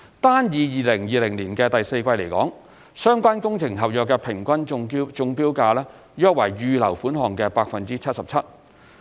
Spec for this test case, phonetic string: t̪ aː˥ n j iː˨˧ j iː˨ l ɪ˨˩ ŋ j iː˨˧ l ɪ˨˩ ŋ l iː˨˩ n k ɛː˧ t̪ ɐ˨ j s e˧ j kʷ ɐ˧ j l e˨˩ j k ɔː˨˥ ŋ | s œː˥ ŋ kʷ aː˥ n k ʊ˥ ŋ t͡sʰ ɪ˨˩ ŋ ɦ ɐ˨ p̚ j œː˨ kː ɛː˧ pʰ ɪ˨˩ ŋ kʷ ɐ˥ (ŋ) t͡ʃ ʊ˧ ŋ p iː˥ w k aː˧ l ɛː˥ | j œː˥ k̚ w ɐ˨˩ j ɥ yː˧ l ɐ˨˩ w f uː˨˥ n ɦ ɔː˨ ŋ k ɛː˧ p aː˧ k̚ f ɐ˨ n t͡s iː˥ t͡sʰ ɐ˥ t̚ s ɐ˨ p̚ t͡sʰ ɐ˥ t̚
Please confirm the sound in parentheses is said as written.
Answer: no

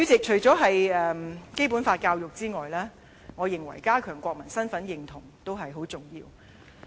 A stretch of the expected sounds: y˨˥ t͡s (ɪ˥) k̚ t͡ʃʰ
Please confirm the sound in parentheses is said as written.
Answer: no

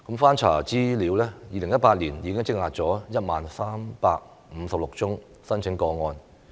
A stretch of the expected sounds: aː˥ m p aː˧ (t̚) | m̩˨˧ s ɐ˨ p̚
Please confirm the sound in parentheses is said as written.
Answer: no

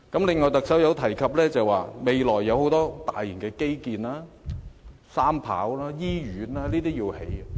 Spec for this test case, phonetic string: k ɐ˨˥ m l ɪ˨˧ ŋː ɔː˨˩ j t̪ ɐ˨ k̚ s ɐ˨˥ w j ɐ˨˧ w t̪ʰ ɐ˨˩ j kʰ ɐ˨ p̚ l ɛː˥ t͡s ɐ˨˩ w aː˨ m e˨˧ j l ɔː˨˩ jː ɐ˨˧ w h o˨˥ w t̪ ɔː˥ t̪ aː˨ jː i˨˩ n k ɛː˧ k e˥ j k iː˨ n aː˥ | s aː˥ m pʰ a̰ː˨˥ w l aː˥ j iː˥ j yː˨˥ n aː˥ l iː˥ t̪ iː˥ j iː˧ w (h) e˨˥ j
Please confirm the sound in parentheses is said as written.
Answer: yes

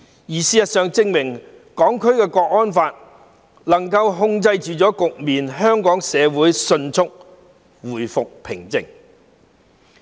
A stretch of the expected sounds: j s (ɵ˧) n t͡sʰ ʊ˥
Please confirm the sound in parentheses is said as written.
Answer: yes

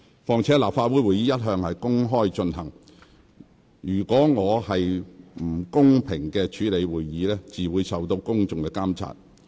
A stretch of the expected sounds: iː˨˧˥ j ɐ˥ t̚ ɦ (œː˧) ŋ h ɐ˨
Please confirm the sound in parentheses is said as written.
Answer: yes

